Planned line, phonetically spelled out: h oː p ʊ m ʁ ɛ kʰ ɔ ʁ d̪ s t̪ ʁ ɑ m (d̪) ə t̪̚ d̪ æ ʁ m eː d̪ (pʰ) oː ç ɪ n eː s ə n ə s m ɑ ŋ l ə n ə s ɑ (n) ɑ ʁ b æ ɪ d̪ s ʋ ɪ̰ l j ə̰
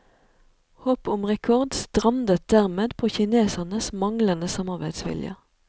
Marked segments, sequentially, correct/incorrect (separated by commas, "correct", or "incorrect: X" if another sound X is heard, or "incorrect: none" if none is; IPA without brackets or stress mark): correct, correct, incorrect: m